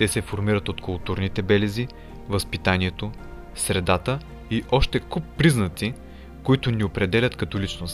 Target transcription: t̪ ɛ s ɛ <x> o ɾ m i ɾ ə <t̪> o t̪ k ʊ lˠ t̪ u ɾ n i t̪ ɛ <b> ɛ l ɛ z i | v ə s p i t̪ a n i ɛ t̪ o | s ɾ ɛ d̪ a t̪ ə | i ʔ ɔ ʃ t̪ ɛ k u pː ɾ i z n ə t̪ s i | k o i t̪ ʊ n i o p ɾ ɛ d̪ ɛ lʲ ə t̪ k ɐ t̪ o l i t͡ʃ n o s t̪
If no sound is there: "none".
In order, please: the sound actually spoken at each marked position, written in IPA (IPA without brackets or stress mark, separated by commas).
f, t̪, b